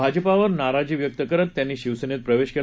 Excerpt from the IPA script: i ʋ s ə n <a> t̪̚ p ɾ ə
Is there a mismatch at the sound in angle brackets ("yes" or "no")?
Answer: yes